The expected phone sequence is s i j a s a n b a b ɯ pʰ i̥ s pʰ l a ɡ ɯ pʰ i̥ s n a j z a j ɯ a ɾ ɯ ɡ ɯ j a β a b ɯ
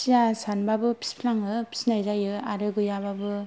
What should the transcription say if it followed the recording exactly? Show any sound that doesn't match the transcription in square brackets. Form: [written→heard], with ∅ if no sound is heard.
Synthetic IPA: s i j a s a n b a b ɯ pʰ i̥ s pʰ l a [ɡ→ŋ] ɯ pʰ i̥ s n a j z a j ɯ a ɾ ɯ ɡ ɯ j a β a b ɯ